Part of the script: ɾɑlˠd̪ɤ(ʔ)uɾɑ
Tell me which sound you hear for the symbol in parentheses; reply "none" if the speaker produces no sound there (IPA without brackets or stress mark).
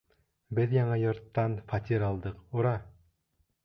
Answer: q